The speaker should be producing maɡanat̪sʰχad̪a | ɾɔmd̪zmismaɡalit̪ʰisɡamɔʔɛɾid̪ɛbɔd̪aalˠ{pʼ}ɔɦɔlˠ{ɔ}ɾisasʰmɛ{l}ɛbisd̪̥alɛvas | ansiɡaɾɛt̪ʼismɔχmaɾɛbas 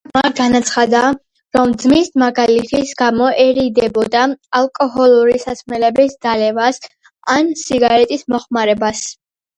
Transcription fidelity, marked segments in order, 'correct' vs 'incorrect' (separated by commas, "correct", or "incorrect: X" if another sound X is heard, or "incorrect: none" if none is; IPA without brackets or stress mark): incorrect: kʼ, incorrect: u, correct